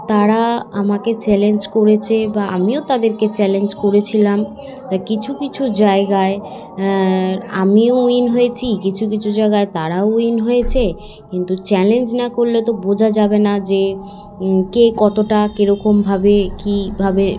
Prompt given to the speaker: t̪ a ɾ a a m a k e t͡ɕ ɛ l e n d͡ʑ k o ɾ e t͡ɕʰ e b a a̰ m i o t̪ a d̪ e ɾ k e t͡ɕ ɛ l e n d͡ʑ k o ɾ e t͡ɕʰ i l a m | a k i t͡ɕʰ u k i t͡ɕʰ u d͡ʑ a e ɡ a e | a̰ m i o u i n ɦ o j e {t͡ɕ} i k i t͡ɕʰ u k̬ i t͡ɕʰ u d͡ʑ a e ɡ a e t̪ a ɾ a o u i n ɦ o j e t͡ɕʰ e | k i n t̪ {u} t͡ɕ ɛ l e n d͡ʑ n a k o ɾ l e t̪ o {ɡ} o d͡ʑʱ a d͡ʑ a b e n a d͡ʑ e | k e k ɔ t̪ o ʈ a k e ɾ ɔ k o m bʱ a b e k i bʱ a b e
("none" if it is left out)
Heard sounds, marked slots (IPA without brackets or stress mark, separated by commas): t͡ɕʰ, u, b